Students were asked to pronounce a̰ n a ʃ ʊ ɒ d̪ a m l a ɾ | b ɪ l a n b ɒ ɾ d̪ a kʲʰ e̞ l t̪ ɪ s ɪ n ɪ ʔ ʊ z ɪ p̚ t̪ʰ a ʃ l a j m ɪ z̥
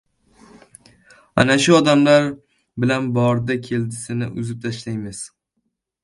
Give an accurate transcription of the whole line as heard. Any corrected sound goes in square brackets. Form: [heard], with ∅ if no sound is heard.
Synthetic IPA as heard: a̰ n a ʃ ʊ ɒ d̪ a m l a ɾ | b ɪ l a n b ɒ ɾ d̪ a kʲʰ e̞ l [d̪] ɪ s ɪ n ɪ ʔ ʊ z ɪ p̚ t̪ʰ a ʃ l a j m ɪ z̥